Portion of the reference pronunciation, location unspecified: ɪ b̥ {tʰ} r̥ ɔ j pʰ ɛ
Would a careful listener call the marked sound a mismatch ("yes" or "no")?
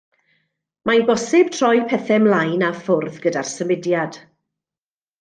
no